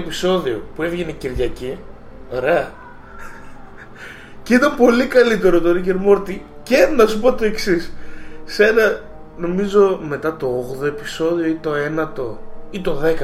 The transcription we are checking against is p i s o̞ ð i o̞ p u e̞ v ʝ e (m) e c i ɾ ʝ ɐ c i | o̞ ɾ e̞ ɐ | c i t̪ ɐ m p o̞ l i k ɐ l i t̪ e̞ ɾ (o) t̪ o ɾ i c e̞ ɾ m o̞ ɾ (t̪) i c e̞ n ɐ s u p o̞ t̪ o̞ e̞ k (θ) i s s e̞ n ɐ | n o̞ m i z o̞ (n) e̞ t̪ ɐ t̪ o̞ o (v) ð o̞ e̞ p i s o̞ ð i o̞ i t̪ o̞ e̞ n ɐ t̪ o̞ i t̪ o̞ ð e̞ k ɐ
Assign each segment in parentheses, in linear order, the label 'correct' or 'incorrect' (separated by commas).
incorrect, correct, correct, incorrect, incorrect, incorrect